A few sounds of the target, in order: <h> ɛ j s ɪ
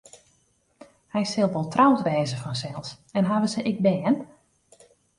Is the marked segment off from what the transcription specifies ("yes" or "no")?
no